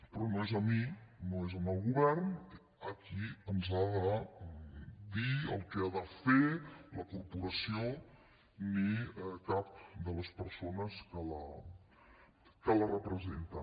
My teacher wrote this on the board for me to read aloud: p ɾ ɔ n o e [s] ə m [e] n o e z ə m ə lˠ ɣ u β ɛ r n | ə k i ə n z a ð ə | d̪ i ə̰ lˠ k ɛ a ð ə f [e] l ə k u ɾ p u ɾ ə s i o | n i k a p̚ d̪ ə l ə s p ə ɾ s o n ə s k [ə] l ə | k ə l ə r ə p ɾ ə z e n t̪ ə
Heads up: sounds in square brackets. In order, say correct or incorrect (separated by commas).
incorrect, incorrect, correct, correct